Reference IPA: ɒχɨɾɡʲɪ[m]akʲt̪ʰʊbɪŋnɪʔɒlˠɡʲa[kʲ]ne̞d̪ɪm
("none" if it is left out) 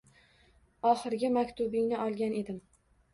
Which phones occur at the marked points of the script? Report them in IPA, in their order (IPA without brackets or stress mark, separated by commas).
m, none